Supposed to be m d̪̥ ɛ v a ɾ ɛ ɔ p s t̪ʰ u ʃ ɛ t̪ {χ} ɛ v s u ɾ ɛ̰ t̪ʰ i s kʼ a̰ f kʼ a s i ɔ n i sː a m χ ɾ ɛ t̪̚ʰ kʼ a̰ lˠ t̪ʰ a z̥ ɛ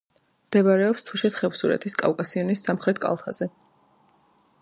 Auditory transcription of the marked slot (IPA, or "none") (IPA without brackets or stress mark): χ